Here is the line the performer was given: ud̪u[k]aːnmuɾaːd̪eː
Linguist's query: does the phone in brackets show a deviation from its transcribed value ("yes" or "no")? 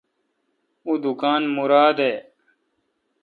no